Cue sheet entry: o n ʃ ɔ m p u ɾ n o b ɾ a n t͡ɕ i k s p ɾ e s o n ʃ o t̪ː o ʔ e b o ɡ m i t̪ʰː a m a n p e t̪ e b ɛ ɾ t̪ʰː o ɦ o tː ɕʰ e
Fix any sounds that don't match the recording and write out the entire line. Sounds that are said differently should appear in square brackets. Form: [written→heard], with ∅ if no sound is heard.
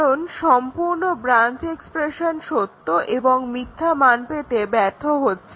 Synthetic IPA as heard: o n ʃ ɔ m p u ɾ n o b ɾ a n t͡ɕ [i→e] k s p ɾ e [s→ʃ] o n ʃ o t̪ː o ʔ e b o [ɡ→ŋ] m i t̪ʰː a m a n p e t̪ e b ɛ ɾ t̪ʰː o ɦ o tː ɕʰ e